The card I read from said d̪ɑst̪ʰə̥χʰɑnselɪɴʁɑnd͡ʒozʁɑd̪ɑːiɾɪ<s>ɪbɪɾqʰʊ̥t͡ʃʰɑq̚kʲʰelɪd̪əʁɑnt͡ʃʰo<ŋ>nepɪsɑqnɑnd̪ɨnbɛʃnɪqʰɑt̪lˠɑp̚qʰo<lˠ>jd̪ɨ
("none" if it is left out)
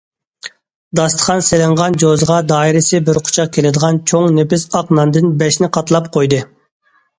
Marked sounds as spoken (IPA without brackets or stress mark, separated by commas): s, ŋ, none